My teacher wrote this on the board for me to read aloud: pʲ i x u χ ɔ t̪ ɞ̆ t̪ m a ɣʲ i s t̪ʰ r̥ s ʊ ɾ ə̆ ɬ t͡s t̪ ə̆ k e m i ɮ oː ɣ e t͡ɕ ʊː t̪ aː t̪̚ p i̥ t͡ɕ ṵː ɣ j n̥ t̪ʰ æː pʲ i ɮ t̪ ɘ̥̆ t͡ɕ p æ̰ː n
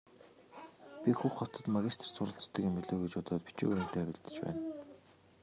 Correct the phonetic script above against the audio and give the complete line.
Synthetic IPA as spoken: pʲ i x u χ ɔ t̪ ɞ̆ t̪ m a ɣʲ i s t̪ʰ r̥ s ʊ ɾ ə̆ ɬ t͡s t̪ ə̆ k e m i ɮ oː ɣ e t͡ɕ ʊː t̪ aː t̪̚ p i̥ t͡ɕ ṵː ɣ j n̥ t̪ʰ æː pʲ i ɮ t̪ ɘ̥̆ t͡ɕ p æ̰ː n

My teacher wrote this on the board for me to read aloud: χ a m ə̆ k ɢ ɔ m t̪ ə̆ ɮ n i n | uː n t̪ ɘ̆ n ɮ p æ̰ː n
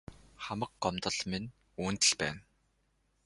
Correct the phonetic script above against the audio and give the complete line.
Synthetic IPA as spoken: χ a m ə̆ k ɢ ɔ m t̪ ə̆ ɮ m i n | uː n t̪ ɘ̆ ɮ p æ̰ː n

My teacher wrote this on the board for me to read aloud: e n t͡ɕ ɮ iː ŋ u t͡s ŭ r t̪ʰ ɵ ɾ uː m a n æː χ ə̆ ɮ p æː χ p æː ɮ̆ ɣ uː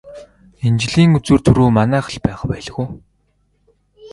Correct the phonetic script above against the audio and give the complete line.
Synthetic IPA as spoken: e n t͡ɕ ɮ iː ŋ u t͡s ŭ r t̪ʰ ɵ ɾ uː m a n æː χ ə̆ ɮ p æː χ p æː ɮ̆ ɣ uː

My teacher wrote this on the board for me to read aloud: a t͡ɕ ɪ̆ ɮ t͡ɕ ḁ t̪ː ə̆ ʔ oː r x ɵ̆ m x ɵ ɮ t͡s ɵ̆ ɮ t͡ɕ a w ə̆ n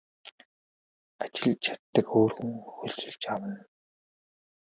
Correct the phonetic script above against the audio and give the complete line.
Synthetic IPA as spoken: a t͡ɕ ɪ̆ ɮ t͡ɕʰ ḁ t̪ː ə̆ k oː r x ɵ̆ ŋ x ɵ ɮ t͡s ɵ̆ ɮ t͡ɕ a w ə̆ n

